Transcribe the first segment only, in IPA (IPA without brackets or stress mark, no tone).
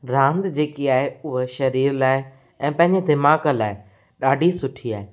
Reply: ɾ